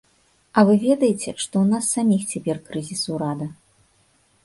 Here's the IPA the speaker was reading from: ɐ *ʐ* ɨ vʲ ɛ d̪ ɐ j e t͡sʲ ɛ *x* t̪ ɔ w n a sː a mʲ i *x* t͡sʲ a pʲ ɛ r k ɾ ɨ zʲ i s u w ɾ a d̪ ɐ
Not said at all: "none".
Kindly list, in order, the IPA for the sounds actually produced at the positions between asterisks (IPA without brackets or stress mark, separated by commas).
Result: v, ʂ, x